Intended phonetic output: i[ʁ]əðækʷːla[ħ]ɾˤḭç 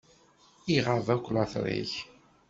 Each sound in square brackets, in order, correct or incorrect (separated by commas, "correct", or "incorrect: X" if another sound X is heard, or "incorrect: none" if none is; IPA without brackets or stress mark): correct, incorrect: θ